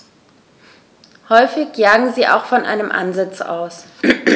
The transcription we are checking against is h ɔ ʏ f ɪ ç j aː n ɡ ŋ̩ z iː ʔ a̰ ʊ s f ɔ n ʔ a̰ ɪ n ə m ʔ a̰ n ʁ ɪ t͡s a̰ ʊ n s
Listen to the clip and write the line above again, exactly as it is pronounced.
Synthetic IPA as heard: h ɔ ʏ f ɪ ç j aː ɡ ŋ̩ z iː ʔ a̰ ʊ x f ɔ n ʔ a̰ ɪ n ə m ʔ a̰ n z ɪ t͡s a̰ ʊ s